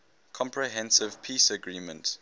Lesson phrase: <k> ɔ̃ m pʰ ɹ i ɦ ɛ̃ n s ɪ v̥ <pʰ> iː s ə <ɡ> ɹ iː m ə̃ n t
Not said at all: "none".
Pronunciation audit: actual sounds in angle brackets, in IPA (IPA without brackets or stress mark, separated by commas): kʰ, pʰ, ɡ